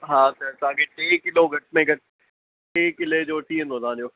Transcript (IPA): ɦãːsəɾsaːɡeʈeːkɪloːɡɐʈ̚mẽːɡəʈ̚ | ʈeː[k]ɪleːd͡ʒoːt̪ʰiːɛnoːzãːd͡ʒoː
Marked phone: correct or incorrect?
correct